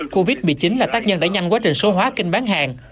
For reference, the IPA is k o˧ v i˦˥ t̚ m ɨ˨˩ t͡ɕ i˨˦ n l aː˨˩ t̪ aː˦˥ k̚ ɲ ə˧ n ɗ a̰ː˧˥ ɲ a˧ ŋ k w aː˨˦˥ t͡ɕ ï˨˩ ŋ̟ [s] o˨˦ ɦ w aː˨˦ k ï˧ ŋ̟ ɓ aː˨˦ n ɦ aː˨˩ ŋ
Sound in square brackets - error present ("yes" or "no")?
no